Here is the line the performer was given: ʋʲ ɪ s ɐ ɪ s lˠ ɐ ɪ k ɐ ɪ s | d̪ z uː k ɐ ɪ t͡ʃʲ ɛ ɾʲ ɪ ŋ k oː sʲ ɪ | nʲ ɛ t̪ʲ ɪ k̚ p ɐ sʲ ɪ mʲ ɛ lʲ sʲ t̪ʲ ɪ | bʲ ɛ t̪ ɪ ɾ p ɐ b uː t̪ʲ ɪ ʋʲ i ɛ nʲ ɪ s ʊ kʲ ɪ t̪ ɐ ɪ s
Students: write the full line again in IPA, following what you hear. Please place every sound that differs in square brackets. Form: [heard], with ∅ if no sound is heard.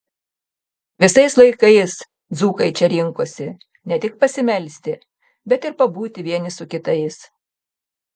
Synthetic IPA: ʋʲ ɪ s ɐ ɪ s lˠ ɐ ɪ k ɐ ɪ s | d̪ z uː k ɐ ɪ t͡ʃʲ ɛ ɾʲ ɪ ŋ k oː sʲ ɪ | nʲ ɛ t̪ʲ ɪ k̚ p ɐ sʲ ɪ mʲ ɛ lʲ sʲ t̪ʲ ɪ | bʲ ɛ t̪ ɪ ɾ p ɐ b uː t̪ʲ ɪ ʋʲ i ɛ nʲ ɪ s ʊ kʲ ɪ t̪ ɐ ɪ s